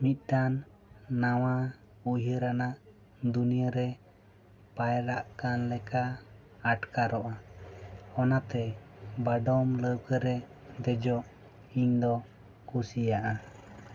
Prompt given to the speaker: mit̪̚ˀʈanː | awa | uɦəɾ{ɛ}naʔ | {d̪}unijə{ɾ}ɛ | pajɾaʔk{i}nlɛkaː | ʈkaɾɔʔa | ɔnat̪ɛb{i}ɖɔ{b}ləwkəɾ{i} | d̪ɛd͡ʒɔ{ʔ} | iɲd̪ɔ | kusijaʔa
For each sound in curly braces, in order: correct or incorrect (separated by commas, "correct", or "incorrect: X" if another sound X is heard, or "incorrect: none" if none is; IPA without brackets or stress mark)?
incorrect: a, correct, correct, incorrect: a, incorrect: a, incorrect: m, incorrect: ɛ, correct